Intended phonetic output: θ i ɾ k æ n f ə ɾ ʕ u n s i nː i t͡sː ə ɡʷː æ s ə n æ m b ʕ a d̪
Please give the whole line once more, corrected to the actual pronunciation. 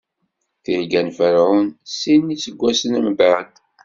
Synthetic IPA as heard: θ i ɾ ɡ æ n f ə ɾ ʕ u n s i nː i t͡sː ə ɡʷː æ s ə n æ m b ʕ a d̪